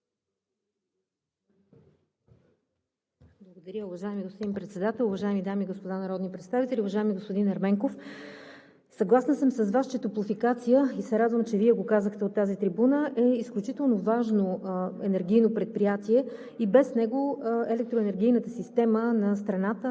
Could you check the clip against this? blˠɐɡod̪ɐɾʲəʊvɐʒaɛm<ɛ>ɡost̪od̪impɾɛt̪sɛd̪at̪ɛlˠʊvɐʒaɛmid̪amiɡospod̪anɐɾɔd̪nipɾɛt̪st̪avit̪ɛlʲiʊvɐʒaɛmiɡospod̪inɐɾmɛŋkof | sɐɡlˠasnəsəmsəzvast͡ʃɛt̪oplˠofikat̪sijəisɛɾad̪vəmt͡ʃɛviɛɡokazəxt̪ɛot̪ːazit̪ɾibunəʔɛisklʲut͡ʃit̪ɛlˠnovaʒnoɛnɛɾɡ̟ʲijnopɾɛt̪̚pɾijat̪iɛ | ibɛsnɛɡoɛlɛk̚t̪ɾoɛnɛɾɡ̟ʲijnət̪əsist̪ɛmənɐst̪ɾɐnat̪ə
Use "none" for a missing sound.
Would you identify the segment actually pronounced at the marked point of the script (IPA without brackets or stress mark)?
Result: i